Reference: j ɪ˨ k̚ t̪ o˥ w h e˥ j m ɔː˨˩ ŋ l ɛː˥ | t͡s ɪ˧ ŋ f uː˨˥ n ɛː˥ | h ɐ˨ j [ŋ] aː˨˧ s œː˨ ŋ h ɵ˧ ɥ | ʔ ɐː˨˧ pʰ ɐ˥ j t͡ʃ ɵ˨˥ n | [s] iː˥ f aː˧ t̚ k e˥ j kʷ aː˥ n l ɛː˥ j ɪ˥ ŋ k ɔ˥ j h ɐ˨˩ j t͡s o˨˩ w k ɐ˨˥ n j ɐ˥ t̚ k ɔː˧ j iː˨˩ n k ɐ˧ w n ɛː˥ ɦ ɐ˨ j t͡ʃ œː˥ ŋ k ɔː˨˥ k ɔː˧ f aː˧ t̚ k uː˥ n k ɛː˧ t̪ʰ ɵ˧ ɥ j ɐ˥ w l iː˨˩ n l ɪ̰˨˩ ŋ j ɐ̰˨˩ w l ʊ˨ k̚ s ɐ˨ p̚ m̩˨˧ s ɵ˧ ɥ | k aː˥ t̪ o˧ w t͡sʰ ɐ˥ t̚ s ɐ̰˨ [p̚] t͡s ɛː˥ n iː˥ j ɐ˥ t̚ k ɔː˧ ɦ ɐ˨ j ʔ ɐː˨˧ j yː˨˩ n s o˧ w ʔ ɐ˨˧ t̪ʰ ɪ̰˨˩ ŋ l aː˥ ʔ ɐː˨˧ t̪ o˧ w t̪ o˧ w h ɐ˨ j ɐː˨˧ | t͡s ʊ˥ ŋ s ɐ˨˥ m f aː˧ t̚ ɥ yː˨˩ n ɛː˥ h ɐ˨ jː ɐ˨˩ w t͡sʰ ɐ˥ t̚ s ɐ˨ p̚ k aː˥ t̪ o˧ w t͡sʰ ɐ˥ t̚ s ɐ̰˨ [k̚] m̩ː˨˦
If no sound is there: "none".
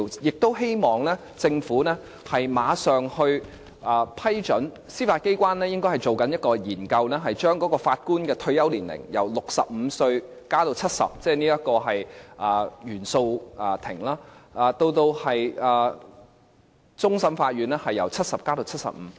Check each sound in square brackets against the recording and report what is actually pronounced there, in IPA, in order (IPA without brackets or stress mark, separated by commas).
m, s, p̚, p̚